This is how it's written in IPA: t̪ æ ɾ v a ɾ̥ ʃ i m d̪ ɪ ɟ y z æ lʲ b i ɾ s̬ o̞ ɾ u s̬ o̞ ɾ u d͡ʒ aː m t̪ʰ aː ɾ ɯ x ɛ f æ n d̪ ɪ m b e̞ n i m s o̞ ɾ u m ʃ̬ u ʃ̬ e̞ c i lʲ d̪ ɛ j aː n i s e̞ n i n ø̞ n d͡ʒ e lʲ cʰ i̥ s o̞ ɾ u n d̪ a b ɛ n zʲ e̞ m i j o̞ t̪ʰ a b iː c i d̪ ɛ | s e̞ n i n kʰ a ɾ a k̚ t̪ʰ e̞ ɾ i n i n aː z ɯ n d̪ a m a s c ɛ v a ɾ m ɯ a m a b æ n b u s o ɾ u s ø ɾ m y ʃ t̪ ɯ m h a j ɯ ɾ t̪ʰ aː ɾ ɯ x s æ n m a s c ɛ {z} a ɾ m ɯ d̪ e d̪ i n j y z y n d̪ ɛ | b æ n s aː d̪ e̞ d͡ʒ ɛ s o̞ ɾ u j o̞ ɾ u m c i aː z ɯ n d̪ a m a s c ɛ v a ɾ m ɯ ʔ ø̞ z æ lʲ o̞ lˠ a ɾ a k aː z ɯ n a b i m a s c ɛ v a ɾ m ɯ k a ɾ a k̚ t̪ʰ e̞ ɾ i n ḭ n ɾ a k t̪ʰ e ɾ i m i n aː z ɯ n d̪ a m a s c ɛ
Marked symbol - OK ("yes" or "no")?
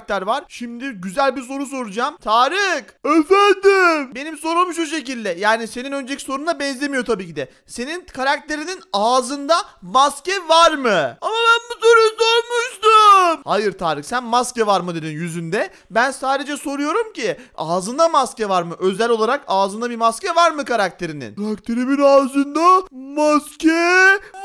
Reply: no